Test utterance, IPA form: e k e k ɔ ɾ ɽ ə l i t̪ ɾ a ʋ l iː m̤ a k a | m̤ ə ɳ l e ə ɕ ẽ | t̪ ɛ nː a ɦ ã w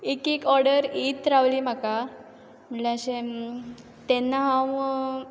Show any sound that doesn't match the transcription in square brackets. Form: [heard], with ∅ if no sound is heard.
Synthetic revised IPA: e k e k ɔ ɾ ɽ ə [ɾ] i t̪ ɾ a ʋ l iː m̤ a k a | m̤ ə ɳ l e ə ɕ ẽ | t̪ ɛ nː a ɦ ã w